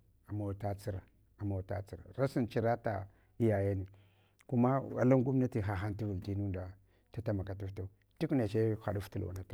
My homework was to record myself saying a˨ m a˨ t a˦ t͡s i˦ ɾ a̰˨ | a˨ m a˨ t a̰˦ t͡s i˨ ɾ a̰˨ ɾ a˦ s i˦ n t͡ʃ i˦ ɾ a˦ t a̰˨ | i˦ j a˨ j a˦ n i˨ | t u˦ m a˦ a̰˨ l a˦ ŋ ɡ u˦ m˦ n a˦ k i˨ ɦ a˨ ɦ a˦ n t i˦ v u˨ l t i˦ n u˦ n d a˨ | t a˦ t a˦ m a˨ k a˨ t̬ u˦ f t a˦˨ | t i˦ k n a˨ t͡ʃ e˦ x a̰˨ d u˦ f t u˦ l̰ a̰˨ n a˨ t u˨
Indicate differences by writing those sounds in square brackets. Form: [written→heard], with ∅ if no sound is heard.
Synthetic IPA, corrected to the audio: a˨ m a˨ t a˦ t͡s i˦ ɾ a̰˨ | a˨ m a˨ t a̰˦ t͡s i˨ ɾ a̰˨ ɾ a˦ s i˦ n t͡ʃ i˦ ɾ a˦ t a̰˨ | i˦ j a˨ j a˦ n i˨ | [t→k] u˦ m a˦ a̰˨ l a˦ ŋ ɡ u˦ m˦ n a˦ [k→t] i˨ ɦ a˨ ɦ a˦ n t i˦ v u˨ l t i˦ n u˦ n d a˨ | t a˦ t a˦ m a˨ k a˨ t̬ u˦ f t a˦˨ | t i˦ k n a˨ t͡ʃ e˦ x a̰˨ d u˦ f t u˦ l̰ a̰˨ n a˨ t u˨